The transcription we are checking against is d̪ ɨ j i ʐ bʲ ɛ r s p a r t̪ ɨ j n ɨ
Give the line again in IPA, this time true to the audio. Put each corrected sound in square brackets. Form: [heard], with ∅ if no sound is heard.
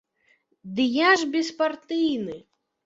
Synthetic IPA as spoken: d̪ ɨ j [a] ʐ bʲ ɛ [∅] s p a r t̪ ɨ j n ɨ